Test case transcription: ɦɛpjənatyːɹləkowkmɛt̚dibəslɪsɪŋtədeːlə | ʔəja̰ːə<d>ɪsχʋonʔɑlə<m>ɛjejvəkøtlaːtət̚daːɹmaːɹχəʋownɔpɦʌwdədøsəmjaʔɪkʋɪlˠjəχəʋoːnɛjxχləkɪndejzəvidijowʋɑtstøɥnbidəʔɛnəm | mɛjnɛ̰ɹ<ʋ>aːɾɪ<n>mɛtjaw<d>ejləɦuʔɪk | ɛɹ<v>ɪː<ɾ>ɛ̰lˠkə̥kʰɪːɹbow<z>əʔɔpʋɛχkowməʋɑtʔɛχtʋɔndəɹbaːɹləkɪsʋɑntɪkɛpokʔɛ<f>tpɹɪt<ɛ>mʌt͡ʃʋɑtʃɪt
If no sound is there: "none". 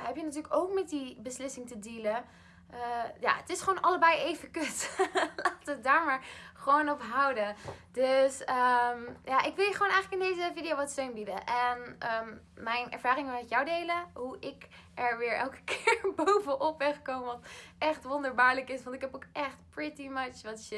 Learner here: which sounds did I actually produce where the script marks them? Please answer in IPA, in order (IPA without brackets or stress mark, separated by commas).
t, b, v, ŋ, d, ʋ, ɹ, v, χ, i